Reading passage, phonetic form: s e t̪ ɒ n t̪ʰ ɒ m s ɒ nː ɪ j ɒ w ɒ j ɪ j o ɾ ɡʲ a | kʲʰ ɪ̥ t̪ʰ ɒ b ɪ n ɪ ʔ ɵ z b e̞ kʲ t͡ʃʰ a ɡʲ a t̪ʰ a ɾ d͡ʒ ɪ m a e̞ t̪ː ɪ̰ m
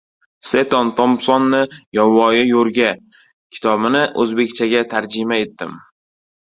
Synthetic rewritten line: s e t̪ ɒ n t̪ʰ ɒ m s ɒ nː ɪ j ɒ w ɒ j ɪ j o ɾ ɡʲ a | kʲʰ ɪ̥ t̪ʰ ɒ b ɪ n ɪ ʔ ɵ z b e̞ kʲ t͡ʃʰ a ɡʲ a t̪ʰ a ɾ d͡ʒ ɪ m a e̞ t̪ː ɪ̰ m